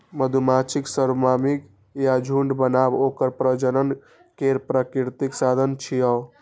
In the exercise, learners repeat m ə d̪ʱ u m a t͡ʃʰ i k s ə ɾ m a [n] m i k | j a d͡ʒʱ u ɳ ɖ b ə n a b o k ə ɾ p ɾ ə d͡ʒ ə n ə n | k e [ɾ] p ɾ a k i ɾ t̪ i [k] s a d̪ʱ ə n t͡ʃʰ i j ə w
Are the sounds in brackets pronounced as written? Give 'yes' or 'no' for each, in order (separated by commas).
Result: no, yes, yes